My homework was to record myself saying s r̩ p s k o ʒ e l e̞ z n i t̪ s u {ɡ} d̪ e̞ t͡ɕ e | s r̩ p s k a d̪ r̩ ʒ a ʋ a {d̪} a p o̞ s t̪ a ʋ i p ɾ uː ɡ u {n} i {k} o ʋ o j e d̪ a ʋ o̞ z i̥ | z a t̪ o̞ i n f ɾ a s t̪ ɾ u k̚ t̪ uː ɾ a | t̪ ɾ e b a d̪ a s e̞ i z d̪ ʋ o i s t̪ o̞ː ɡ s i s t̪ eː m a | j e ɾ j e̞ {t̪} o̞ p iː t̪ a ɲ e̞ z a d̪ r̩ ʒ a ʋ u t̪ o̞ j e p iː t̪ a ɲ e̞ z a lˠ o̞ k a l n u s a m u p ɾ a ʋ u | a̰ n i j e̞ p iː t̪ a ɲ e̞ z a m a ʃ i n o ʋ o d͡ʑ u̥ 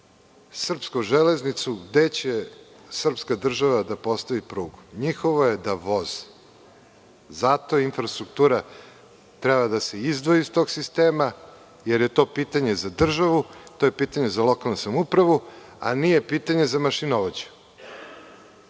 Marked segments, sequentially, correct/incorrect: correct, correct, incorrect, incorrect, correct

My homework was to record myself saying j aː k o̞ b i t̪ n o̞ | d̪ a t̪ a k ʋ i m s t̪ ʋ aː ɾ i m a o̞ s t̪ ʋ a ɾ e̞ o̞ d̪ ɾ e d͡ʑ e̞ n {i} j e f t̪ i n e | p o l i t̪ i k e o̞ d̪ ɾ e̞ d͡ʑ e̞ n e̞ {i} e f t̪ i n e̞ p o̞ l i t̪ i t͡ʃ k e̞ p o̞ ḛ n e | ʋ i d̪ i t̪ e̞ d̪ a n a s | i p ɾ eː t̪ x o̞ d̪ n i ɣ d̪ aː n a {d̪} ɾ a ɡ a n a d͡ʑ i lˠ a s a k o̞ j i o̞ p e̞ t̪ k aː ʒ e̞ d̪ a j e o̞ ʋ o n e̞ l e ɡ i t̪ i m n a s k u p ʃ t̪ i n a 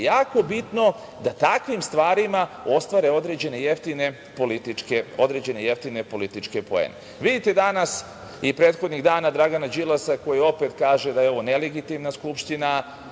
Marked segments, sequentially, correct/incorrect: incorrect, incorrect, correct

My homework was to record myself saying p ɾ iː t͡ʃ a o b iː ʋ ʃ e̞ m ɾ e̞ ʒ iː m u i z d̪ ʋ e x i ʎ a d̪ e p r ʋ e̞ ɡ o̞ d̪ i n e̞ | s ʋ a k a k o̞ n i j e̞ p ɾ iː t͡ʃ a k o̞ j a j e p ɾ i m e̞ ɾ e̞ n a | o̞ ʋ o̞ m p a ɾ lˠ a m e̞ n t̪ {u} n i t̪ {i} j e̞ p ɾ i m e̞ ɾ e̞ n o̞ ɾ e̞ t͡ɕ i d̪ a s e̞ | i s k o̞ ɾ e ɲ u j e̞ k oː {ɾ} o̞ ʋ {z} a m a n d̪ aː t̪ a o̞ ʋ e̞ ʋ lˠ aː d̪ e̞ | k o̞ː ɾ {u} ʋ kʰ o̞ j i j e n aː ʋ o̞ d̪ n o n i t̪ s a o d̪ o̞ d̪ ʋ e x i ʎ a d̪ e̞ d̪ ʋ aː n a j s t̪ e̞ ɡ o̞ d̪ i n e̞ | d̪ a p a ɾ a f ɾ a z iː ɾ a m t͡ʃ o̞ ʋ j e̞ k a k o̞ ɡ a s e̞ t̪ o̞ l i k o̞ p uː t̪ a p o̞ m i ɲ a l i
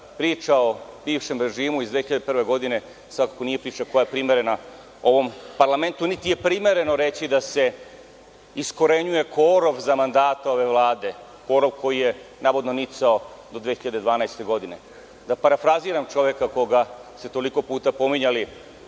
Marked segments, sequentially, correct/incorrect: correct, correct, correct, correct, incorrect

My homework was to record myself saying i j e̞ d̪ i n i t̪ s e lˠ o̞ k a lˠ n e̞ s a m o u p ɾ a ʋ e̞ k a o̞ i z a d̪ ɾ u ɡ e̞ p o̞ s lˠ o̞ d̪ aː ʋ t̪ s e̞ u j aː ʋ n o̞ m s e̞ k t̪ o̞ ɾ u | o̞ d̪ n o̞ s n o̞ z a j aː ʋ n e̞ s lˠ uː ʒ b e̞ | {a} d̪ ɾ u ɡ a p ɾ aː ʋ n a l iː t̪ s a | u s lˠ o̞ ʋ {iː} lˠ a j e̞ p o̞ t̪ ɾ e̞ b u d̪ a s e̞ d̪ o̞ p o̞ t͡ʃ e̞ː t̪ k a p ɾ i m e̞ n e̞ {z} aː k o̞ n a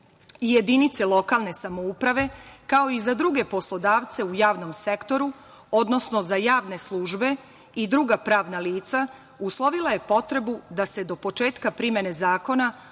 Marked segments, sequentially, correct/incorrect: incorrect, incorrect, correct

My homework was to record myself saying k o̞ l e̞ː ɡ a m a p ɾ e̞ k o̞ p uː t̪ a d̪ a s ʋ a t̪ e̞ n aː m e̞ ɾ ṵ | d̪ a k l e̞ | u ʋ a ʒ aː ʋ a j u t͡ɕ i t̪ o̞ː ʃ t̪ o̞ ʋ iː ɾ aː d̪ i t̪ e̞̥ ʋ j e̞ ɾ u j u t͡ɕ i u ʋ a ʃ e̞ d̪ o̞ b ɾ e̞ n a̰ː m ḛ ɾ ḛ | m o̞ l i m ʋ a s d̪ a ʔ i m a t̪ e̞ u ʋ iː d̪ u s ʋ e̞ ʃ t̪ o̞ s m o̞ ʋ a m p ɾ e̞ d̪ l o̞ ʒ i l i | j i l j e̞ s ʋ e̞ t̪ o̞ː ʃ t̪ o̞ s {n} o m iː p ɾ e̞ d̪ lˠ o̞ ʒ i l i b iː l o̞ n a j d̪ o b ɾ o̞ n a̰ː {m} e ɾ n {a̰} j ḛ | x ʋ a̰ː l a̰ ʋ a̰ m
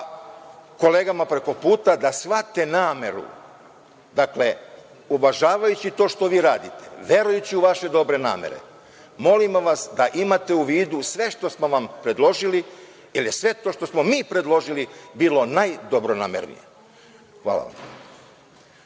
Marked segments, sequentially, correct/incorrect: incorrect, correct, incorrect

